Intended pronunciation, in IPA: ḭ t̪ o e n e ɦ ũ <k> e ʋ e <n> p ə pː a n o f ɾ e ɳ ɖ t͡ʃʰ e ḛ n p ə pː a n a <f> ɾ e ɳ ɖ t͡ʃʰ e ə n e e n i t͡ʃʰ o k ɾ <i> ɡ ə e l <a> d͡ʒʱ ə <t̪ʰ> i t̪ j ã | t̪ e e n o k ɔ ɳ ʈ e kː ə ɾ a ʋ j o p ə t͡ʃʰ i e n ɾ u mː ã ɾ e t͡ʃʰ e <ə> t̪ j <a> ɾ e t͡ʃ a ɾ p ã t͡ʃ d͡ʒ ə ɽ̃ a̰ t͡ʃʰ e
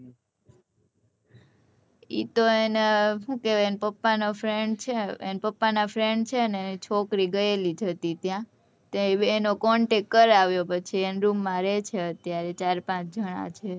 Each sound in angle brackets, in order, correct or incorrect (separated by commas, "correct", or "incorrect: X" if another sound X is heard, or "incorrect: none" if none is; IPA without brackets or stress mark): correct, correct, correct, correct, incorrect: i, incorrect: t̪, correct, correct